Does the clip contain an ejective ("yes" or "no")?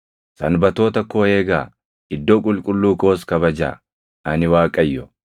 yes